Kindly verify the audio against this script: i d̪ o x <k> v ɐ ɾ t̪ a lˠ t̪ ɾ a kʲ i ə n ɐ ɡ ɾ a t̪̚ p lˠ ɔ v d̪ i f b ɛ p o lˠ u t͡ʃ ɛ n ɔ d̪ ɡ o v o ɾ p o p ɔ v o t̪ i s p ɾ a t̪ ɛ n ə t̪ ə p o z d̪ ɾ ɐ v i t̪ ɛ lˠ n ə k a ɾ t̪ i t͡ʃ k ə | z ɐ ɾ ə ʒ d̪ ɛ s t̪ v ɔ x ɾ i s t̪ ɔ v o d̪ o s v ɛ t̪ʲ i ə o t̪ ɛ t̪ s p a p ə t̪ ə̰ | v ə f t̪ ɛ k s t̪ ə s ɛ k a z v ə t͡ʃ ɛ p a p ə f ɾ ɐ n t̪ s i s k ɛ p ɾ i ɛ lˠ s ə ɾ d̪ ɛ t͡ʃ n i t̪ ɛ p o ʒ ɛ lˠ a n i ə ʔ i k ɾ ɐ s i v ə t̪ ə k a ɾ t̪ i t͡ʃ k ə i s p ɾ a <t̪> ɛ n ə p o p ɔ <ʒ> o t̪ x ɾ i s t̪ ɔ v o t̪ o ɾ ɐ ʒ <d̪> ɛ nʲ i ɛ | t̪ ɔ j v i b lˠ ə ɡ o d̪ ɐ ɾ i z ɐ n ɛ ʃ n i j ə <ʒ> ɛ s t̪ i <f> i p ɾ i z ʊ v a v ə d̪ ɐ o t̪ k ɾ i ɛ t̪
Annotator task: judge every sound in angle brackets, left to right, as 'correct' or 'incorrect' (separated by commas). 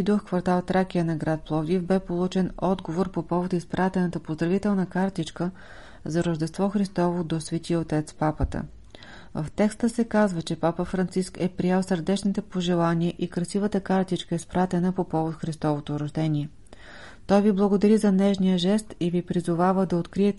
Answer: correct, correct, incorrect, correct, correct, incorrect